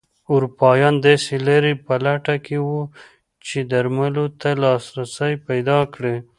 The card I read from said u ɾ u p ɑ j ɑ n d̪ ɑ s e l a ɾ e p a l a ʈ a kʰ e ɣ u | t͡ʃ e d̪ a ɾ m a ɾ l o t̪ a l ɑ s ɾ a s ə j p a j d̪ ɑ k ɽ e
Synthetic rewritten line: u ɾ u p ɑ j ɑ n d̪ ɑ s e l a ɾ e p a l a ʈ a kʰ e w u | t͡ʃ e d̪ a ɾ m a l o t̪ a l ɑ s ɾ a s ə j p a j d̪ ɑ k ɽ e